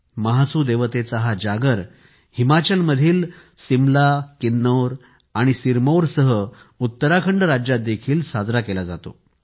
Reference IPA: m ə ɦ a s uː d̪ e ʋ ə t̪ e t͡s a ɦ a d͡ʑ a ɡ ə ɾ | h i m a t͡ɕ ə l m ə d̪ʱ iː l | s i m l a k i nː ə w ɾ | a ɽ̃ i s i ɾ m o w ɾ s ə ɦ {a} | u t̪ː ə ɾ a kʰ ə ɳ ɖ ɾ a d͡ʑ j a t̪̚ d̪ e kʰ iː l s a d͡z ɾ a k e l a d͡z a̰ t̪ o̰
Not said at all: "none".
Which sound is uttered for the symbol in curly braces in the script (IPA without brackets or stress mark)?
ə